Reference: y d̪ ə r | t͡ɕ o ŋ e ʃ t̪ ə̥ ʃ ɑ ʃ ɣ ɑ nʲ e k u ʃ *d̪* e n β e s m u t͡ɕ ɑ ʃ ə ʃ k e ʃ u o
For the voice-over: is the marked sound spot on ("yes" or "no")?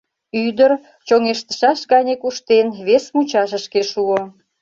no